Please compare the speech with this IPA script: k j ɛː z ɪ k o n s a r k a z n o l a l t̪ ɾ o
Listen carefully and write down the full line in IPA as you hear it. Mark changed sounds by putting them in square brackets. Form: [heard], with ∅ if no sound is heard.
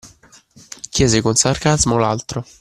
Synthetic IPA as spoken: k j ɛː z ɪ k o n s a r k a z [m] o l a l t̪ ɾ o